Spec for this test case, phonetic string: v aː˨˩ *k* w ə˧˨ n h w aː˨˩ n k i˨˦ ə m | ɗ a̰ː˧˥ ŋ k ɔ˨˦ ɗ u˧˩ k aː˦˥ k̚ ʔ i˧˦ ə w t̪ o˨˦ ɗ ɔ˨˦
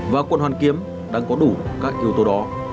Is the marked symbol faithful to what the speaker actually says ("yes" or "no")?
yes